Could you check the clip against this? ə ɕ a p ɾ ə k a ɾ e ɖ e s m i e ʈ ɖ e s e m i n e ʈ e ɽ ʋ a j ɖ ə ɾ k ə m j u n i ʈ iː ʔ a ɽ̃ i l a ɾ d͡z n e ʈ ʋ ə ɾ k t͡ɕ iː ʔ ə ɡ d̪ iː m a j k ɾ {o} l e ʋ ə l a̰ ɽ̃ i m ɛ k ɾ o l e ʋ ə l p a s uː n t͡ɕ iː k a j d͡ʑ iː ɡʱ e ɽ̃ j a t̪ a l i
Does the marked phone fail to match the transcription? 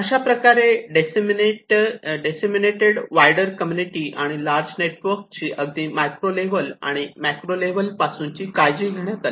no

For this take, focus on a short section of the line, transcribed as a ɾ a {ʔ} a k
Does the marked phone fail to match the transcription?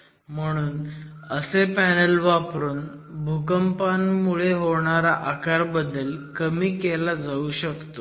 no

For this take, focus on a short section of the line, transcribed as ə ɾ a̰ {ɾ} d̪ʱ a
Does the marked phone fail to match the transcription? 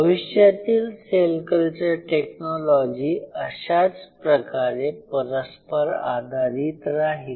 yes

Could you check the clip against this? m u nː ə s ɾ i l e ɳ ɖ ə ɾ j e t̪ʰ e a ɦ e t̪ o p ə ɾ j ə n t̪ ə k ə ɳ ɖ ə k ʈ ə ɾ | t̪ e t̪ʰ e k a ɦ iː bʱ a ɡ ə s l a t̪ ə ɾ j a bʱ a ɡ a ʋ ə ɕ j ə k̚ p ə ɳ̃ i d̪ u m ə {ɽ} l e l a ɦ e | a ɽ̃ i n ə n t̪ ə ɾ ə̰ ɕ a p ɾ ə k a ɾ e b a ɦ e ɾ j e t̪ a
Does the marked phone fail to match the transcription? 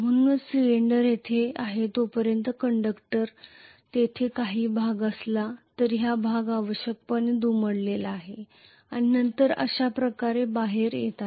no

